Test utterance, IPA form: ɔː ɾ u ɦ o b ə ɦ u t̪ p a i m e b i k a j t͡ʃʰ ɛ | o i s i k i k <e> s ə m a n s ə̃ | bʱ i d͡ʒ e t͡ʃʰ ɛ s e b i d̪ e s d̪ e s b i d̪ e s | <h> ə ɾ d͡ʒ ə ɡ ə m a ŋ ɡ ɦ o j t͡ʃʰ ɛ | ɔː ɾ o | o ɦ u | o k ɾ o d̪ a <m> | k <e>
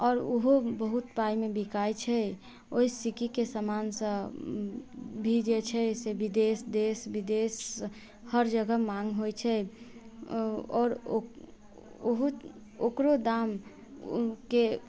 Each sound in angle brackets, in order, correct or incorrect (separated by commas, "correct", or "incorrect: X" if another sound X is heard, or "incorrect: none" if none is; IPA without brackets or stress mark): correct, correct, correct, correct